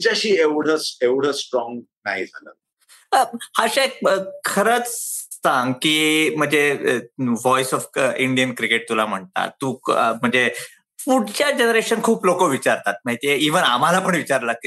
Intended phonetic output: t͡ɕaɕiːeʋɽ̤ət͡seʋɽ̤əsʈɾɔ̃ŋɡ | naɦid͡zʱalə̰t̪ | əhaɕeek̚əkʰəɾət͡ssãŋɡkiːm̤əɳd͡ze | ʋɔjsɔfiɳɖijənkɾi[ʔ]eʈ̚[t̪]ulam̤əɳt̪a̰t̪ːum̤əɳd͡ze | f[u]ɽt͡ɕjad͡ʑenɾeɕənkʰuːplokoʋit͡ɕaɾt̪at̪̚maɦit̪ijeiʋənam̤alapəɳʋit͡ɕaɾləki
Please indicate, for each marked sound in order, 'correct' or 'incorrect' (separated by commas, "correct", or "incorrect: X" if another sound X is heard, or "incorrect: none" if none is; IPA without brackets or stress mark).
incorrect: k, correct, correct